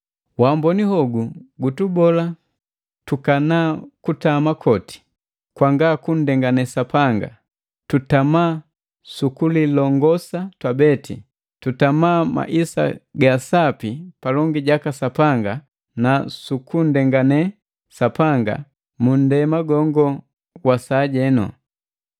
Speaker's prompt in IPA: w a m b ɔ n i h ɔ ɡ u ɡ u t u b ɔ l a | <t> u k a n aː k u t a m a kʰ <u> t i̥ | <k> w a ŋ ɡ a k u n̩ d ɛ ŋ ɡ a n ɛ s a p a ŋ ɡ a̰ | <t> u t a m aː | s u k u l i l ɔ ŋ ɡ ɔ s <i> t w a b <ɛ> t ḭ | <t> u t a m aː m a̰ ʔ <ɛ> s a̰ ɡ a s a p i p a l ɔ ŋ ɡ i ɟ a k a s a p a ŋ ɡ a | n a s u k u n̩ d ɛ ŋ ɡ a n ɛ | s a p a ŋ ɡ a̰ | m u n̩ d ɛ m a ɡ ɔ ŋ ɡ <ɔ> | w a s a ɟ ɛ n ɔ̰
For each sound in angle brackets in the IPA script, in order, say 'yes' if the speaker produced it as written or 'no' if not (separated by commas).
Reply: yes, no, yes, yes, no, yes, yes, no, yes